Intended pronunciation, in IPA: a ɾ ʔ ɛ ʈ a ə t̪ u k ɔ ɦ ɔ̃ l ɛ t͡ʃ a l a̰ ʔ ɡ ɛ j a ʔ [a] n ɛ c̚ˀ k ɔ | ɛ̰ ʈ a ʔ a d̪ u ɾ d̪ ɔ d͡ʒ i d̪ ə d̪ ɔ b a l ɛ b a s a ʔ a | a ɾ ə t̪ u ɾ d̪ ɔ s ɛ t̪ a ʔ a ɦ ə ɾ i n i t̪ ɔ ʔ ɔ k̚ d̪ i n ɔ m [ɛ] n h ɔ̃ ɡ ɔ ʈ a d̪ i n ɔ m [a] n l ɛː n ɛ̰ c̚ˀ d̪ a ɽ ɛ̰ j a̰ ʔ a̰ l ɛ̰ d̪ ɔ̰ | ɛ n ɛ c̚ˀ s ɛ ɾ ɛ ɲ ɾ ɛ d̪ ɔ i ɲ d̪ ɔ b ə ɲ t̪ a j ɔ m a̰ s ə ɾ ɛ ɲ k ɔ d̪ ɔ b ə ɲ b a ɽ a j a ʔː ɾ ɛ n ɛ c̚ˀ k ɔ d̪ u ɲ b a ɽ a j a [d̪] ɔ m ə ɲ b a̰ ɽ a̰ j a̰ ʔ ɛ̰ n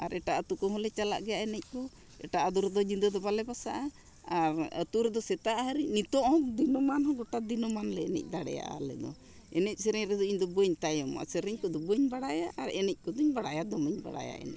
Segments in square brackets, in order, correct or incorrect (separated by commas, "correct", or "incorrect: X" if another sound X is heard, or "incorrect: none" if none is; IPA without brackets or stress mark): incorrect: ɛ, incorrect: a, correct, correct